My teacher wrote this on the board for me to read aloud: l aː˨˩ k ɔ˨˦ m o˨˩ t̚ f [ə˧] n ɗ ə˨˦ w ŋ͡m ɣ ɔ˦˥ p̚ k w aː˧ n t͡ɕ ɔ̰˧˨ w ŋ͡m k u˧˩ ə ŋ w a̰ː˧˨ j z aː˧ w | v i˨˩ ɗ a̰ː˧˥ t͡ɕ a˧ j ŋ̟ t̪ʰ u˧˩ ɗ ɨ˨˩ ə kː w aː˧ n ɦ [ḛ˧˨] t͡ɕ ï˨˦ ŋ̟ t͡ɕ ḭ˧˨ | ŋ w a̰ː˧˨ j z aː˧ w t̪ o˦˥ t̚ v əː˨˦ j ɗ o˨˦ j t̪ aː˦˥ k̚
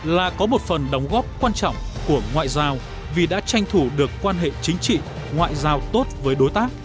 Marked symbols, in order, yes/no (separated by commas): no, yes